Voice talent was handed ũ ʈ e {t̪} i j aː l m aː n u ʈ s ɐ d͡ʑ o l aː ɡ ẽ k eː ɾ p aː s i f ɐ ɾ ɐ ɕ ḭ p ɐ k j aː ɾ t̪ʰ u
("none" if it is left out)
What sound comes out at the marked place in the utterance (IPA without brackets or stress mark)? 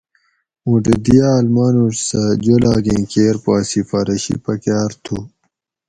d̪